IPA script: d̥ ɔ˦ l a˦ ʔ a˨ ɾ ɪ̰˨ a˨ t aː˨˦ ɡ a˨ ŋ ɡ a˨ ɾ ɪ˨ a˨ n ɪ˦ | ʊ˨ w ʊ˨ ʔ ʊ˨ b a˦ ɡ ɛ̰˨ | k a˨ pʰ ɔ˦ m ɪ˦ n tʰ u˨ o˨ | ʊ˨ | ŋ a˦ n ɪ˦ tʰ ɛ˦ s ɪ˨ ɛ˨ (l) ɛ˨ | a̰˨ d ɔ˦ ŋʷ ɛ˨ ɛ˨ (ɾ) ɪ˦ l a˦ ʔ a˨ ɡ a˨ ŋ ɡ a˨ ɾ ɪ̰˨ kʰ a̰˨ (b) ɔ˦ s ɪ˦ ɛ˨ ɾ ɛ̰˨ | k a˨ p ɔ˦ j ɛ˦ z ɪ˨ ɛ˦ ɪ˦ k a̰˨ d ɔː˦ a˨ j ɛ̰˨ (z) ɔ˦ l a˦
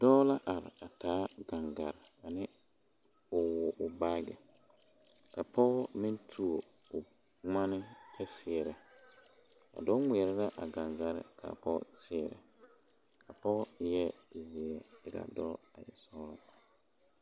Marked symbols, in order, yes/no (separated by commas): no, yes, no, no